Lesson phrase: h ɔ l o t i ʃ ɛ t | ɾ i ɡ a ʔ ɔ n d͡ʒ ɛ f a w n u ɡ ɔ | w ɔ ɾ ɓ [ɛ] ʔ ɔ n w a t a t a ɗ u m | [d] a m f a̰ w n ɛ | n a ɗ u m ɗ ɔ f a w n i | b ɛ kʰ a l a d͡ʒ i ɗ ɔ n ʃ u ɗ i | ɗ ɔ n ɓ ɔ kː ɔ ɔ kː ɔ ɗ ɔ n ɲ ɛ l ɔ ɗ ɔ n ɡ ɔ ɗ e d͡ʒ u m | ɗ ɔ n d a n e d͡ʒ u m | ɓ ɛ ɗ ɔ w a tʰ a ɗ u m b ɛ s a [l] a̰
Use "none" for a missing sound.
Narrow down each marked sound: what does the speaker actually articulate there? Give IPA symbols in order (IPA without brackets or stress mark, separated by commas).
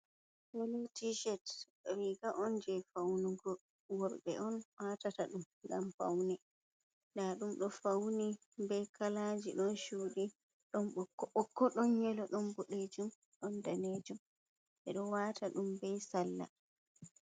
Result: ɛ, ɡ, lː